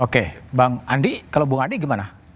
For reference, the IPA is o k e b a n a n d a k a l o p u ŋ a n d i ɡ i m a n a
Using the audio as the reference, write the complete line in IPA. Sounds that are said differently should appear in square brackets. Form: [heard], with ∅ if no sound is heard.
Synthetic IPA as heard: o k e b a [ŋ] a n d [i] k a l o [b] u ŋ a n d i ɡ i m a n a